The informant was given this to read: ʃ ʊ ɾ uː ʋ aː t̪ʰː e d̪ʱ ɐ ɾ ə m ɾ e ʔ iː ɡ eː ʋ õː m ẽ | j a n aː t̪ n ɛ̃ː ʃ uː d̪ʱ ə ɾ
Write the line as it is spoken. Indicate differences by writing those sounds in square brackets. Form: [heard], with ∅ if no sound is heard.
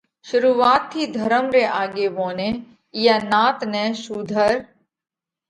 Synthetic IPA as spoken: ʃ ʊ ɾ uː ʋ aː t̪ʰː [i] d̪ʱ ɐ ɾ ə m ɾ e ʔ [aː] ɡ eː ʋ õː [n] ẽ | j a n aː t̪ n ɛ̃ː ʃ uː d̪ʱ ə ɾ